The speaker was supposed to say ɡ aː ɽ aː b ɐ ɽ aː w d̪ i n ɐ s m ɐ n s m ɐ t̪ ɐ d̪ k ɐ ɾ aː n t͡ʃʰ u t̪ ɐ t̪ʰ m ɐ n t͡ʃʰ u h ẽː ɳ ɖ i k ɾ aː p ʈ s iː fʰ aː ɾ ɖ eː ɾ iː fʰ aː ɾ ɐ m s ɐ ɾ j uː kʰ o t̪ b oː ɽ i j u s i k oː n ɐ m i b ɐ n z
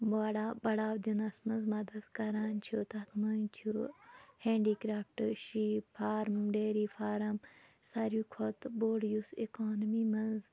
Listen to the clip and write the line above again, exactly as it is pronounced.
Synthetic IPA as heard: b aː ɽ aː b ɐ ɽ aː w d̪ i n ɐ s m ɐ n z m ɐ d̪ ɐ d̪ k ɐ ɾ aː n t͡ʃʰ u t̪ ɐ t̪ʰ m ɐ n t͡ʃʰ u h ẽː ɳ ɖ i k ɾ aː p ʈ ʃ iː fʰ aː ɾ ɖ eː ɾ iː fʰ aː ɾ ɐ m s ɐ ɾ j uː kʰ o t̪ b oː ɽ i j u s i k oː n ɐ m i m ɐ n z